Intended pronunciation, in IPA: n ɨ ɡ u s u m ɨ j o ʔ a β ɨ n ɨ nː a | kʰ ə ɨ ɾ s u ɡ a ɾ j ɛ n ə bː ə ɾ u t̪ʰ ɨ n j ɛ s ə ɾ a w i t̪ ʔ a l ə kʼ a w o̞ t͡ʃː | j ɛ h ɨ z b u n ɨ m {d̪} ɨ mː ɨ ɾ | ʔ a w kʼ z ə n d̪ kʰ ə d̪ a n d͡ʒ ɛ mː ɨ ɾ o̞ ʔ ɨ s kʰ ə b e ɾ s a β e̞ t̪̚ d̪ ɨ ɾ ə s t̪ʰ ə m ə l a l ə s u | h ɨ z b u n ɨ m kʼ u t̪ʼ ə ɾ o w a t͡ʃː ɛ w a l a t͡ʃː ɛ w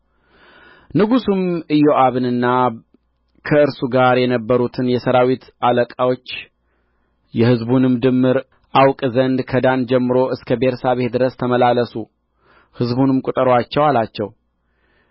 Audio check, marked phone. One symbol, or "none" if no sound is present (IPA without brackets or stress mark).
d̪